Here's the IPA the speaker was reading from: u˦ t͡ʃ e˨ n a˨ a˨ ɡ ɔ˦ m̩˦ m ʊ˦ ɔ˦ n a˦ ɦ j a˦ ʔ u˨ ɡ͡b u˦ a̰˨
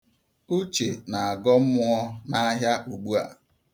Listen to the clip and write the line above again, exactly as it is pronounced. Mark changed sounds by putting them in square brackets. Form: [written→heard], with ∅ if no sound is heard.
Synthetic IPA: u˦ t͡ʃ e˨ n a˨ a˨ ɡ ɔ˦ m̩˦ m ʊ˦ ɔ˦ n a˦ ɦ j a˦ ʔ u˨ ɡ͡b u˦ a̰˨